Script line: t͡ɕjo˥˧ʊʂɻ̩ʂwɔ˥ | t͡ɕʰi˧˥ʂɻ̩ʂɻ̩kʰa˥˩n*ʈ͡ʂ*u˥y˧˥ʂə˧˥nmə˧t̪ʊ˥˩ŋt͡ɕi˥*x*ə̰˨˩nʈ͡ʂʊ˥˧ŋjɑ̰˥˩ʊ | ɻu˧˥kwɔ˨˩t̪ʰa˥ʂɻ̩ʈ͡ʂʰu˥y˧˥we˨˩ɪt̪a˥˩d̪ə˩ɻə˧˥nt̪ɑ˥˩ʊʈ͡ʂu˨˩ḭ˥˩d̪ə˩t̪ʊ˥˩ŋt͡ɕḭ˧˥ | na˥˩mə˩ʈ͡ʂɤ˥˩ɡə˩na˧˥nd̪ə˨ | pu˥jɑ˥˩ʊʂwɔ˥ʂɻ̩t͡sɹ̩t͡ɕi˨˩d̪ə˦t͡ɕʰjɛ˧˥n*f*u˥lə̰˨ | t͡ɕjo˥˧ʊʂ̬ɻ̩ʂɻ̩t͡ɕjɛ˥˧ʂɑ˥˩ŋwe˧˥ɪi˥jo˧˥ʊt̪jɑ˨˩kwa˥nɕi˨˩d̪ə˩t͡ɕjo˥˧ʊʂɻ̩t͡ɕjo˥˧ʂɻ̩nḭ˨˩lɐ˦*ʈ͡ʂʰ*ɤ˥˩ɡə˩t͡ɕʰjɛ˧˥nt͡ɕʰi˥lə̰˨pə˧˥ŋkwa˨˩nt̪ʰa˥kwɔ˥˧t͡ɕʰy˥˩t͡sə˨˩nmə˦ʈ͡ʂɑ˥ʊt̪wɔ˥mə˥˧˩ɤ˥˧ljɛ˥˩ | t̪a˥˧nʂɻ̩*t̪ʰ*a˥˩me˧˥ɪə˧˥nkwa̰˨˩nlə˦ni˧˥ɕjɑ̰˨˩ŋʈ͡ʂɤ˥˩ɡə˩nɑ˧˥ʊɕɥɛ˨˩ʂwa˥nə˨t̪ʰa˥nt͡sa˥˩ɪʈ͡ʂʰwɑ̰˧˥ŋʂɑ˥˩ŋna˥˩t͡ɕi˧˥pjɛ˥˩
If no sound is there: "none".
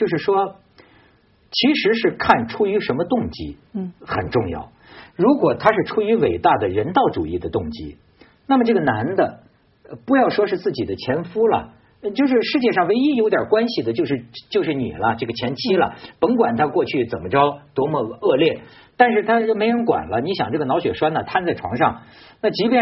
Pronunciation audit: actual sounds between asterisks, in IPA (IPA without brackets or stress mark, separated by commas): ʈ͡ʂʰ, x, f, ʈ͡ʂ, t̪ʰ